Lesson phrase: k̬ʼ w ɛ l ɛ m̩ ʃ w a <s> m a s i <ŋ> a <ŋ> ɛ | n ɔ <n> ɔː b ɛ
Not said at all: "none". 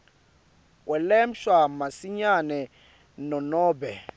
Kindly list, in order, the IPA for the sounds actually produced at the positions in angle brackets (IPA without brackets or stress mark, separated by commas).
none, ɲ, n, n